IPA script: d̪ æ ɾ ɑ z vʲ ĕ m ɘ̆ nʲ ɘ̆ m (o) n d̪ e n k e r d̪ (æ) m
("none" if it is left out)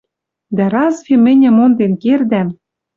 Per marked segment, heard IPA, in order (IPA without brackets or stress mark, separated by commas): o, æ